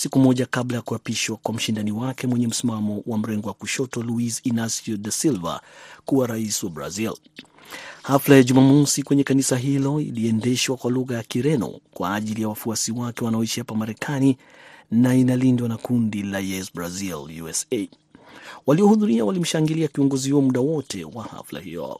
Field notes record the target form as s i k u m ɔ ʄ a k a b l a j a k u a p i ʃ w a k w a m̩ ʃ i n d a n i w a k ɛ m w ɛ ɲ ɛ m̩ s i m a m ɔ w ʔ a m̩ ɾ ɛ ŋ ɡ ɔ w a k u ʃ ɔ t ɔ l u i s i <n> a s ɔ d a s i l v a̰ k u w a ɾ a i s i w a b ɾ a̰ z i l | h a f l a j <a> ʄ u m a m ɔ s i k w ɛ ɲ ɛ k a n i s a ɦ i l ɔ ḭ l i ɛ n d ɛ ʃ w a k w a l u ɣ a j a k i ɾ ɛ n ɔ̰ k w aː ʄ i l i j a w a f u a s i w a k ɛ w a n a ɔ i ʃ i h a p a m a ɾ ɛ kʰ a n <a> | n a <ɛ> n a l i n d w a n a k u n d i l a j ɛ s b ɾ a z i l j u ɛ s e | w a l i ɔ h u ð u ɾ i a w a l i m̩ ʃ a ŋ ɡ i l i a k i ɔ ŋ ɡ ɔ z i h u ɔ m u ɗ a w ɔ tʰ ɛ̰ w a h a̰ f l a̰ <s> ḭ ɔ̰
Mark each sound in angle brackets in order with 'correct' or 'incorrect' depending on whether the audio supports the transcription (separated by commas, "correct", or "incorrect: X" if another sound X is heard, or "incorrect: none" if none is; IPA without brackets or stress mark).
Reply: correct, correct, incorrect: i, incorrect: i, incorrect: h